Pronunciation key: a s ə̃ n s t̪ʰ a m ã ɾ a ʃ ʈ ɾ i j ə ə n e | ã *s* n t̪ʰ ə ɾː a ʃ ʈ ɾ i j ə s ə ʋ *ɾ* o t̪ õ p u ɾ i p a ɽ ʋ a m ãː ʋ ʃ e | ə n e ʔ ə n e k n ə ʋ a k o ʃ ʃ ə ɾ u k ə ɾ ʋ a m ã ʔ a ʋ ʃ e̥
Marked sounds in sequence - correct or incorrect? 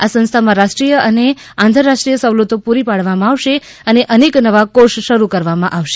incorrect: none, incorrect: l

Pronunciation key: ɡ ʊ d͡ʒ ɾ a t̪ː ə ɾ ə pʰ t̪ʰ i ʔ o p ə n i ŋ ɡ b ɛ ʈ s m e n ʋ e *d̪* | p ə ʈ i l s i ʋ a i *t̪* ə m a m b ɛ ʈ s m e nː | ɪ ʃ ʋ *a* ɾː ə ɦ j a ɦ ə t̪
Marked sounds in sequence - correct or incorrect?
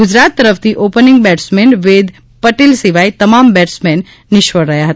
correct, correct, incorrect: ə

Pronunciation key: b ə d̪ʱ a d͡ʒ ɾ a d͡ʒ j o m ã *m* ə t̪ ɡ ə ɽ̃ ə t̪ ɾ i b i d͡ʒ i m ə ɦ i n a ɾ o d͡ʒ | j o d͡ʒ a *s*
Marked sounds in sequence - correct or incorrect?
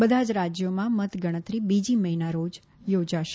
correct, incorrect: ʃ

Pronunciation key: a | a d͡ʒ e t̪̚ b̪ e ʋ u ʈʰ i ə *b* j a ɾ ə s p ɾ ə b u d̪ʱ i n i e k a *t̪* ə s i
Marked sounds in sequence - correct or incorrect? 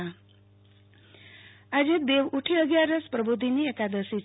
incorrect: ɡ, incorrect: d̪

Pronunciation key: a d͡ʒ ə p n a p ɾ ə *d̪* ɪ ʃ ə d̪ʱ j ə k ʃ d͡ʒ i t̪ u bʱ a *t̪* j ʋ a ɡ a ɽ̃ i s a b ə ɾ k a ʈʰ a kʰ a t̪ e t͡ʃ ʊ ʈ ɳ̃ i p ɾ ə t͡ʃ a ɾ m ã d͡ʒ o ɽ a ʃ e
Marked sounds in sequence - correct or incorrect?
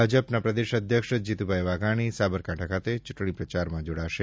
correct, incorrect: none

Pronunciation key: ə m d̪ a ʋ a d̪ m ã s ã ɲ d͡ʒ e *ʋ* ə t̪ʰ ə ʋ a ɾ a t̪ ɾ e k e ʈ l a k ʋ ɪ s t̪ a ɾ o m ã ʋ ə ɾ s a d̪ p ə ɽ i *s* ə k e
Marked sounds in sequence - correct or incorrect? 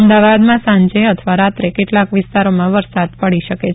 incorrect: none, incorrect: ʃ

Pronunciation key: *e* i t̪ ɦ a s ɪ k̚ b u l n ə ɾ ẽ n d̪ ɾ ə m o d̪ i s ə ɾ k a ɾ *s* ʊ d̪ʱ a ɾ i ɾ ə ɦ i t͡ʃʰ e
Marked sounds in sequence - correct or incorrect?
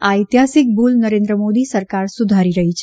incorrect: a, correct

